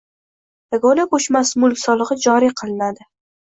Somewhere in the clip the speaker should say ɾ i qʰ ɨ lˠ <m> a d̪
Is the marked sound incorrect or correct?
incorrect